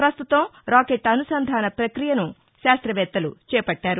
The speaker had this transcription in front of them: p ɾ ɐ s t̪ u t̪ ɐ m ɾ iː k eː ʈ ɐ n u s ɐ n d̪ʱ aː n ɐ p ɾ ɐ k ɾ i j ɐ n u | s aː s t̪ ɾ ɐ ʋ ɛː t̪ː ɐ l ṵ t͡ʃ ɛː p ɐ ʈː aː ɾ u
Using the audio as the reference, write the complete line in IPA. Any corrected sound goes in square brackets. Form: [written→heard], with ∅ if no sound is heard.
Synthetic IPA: p ɾ ɐ s t̪ u t̪ ɐ m ɾ [iː→aː] k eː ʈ ɐ n u s ɐ n d̪ʱ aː n ɐ p ɾ ɐ k ɾ i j ɐ n u | [s→ʃ] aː s t̪ ɾ ɐ ʋ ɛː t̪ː ɐ l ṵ t͡ʃ ɛː p ɐ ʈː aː ɾ u